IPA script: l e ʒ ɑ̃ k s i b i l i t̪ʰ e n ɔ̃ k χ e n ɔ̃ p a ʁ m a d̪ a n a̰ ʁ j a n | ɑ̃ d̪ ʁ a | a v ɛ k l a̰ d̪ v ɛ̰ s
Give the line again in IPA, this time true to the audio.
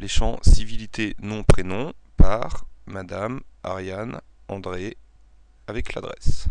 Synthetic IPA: l e ʃ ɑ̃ s i v i l i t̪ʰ e n ɔ̃ p χ e n ɔ̃ p a ʁ m a d̪ a m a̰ ʁ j a n | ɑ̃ d̪ ʁ e | a v ɛ k l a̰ d̪ ʁ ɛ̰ s

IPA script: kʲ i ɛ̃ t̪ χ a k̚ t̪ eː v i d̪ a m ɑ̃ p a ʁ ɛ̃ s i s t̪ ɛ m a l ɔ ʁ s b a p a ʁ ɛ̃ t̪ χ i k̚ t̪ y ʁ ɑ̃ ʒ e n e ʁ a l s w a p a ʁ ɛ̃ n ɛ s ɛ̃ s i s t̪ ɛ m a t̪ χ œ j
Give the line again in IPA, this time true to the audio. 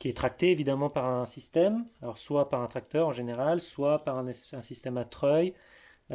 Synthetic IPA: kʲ i ɛ t̪ χ a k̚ t̪ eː v i d̪ a m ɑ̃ p a ʁ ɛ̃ s i s t̪ ɛ m a l ɔ ʁ s w a p a ʁ ɛ̃ t̪ χ a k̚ t̪ œ ʁ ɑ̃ ʒ e n e ʁ a l s w a p a ʁ ɛ̃ n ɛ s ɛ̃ s i s t̪ ɛ m a t̪ χ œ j

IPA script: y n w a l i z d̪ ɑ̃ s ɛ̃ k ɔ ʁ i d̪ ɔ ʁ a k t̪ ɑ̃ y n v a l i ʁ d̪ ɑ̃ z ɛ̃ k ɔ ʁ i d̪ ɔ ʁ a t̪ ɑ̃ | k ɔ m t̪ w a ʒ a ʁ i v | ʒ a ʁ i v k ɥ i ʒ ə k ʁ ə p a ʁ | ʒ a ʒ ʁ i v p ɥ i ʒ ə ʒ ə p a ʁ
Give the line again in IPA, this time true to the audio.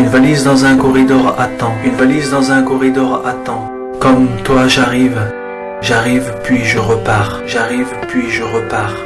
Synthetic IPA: y n v a l i z d̪ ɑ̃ z ɛ̃ k ɔ ʁ i d̪ ɔ ʁ a t̪ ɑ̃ y n v a l i z d̪ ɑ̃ z ɛ̃ k ɔ ʁ i d̪ ɔ ʁ a t̪ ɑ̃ | k ɔ m t̪ w a ʒ a ʁ i v | ʒ a ʁ i v p ɥ i ʒ ə ʁ ə p a ʁ | ʒ a ʁ i v p ɥ i ʒ ə ʁ ə p a ʁ

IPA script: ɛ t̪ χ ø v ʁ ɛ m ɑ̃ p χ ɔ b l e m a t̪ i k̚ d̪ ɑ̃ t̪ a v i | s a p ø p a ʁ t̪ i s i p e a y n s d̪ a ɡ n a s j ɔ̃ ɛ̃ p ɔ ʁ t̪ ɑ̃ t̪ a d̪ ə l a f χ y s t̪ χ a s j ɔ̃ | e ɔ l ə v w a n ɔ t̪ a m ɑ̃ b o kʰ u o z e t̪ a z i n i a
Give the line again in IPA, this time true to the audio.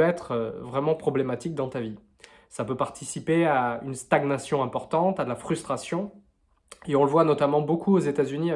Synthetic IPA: ɛ t̪ χ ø v ʁ ɛ m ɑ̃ p χ ɔ b l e m a t̪ i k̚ d̪ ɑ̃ t̪ a v i | s a p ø p a ʁ t̪ i s i p e a y n s t̪ a ɡ n a s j ɔ̃ ɛ̃ p ɔ ʁ t̪ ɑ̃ t̪ a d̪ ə l a f χ y s t̪ χ a s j ɔ̃ | e ɔ̃ l ə v w a n ɔ t̪ a m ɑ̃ b o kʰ u o z e t̪ a z y n i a

